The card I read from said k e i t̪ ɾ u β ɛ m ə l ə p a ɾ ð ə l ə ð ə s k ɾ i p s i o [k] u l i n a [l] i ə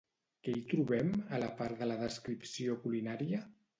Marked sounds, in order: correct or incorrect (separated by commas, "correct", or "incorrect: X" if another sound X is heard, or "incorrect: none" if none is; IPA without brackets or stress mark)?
correct, incorrect: ɾ